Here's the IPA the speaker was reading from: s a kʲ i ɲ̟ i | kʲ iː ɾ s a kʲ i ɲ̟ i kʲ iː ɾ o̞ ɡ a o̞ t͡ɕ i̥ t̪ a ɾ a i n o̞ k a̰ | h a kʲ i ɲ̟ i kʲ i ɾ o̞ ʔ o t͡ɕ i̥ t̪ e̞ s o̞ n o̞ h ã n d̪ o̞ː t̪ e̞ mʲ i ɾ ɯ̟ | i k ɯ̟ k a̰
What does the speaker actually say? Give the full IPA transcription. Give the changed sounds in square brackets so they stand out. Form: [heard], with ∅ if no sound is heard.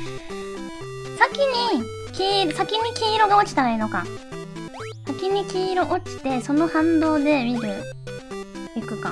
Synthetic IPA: s a kʲ i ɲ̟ i | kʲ iː ɾ s a kʲ i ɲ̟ i kʲ iː ɾ o̞ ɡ a o̞ t͡ɕ i̥ t̪ a ɾ a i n o̞ k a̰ | [s] a kʲ i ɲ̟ i kʲ [iː] ɾ o̞ ʔ o t͡ɕ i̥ t̪ e̞ s o̞ n o̞ h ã n d̪ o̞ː [d̪] e̞ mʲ i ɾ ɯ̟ | i k ɯ̟ k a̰